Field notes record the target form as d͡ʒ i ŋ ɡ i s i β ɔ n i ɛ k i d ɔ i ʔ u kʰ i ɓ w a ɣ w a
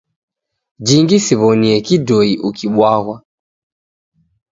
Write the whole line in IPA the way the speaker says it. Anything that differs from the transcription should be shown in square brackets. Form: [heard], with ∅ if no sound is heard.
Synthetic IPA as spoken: d͡ʒ i ŋ ɡ i s i β ɔ n i ɛ k i d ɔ i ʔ u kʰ i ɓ w a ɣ w a

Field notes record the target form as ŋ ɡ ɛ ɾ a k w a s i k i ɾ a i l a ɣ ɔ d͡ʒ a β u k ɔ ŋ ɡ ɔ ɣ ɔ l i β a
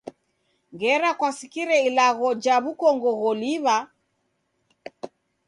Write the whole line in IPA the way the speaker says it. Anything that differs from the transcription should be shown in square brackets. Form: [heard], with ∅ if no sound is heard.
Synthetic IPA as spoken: ŋ ɡ ɛ ɾ a k w a s i k i ɾ [ɛ] i l a ɣ ɔ d͡ʒ a β u k ɔ ŋ ɡ ɔ ɣ ɔ l i β a

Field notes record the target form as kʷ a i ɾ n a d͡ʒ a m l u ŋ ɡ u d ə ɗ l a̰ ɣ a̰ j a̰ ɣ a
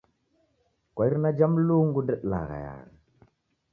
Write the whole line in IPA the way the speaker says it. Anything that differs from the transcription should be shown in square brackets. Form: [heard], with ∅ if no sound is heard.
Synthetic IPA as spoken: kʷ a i ɾ n a d͡ʒ a m l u ŋ ɡ u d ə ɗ l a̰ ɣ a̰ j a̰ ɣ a

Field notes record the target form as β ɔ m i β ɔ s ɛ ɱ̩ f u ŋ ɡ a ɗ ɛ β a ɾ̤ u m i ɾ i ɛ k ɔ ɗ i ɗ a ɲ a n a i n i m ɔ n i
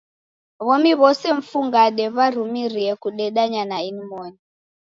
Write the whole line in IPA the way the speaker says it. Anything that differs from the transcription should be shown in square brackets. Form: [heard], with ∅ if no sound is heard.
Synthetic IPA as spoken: β ɔ m i β ɔ s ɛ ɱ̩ f u ŋ ɡ a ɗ ɛ β a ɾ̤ u m i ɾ i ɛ k [u] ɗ [ɛ] ɗ a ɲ a n a i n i m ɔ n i

